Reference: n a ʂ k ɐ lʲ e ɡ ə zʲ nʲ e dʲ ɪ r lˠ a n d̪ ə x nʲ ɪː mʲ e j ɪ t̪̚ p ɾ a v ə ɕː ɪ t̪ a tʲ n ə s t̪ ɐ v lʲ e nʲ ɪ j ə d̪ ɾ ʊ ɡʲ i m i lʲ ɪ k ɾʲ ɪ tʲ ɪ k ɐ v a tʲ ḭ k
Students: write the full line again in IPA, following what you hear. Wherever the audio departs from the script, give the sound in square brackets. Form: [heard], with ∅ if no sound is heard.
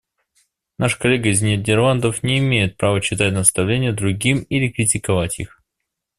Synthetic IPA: n a ʂ k ɐ lʲ e ɡ ə zʲ nʲ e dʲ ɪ r lˠ a n d̪ ə [f] nʲ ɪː mʲ e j ɪ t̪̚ p ɾ a v ə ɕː ɪ t̪ a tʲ n ə s t̪ ɐ v lʲ e nʲ ɪ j ə d̪ ɾ ʊ ɡʲ i m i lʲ ɪ k ɾʲ ɪ tʲ ɪ k ɐ v a tʲ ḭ [x]